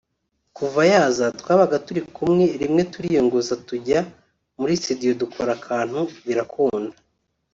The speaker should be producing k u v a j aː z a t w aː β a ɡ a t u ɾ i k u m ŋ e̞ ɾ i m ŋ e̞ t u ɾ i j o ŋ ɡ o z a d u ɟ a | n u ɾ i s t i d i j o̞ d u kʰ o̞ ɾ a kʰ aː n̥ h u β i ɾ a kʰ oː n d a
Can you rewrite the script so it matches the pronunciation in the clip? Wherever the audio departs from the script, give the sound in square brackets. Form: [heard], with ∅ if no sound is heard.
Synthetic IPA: k u v a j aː z a t w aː β a ɡ a t u ɾ i k u m ŋ e̞ ɾ i m ŋ e̞ t u ɾ i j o ŋ ɡ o z a [t] u ɟ a | [m] u ɾ i s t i d i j o̞ d u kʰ o̞ ɾ a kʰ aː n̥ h u β i ɾ a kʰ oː n d a